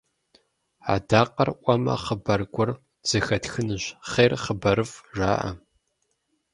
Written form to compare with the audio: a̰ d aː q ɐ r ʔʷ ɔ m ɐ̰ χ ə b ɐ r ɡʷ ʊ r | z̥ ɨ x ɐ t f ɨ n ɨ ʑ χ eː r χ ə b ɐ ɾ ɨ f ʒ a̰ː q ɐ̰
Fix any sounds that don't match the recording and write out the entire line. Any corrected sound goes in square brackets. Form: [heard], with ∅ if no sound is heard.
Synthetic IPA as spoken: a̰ d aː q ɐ r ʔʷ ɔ m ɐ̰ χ ə b ɐ r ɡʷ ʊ r | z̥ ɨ x ɐ t [x] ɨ n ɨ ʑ χ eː r χ ə b ɐ ɾ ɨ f ʒ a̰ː [ʔ] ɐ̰